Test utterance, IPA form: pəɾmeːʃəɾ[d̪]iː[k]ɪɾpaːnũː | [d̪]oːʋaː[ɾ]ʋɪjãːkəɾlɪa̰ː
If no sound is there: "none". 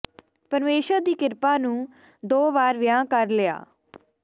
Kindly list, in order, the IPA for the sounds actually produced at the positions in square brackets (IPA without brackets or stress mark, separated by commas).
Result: d̪, k, d̪, ɾ